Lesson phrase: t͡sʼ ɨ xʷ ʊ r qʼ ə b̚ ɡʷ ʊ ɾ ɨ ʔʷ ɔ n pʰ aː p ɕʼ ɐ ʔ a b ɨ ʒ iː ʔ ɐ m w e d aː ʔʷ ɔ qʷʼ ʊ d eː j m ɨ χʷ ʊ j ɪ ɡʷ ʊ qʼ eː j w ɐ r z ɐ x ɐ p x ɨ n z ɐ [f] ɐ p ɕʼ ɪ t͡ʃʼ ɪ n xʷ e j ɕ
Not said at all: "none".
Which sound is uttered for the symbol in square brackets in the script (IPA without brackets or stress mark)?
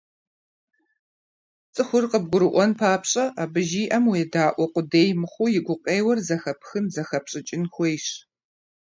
x